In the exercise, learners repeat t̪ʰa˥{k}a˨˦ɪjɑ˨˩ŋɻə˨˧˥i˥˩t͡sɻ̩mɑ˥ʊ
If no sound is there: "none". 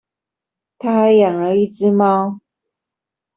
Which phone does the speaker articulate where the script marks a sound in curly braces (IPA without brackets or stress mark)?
x